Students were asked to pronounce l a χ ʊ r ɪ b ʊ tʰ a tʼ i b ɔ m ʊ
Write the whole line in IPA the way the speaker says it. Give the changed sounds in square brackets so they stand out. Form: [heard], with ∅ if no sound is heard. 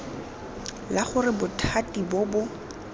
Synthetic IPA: l a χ ʊ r ɪ b ʊ tʰ a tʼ i b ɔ [b] ʊ